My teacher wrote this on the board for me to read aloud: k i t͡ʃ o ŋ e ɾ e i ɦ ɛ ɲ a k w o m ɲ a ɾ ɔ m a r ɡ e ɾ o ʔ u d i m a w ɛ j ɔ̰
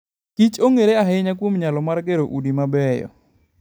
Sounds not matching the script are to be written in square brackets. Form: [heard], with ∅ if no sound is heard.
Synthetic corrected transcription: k i t͡ʃ o ŋ e ɾ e [a] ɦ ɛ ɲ a k w o m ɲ a [l] ɔ m a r ɡ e ɾ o ʔ u d i m a [b] ɛ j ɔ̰